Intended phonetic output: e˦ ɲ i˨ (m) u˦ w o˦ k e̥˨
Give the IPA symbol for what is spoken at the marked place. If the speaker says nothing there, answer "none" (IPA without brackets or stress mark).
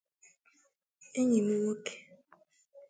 m